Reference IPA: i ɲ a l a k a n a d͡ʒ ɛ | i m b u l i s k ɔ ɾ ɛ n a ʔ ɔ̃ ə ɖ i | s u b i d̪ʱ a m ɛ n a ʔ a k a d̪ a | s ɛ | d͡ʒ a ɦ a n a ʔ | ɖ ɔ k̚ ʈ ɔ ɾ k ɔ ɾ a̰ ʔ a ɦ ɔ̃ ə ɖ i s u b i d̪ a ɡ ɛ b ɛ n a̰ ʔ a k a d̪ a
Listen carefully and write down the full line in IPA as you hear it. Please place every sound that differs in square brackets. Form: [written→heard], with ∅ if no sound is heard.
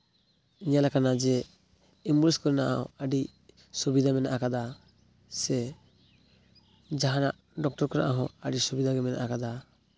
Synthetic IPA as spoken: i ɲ a l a k a n a d͡ʒ ɛ | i m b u l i s k ɔ ɾ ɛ n a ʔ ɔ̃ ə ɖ i | s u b i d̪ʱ a m ɛ n a ʔ a k a d̪ a | s ɛ | d͡ʒ a ɦ a n a ʔ | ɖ ɔ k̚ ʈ ɔ ɾ k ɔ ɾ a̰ ʔ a ɦ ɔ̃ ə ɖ i s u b i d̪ a ɡ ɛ [b→m] ɛ n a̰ ʔ a k a d̪ a